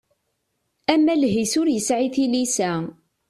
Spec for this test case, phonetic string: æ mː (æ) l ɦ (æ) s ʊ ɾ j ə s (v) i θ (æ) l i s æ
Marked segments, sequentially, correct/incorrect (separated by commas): correct, incorrect, incorrect, incorrect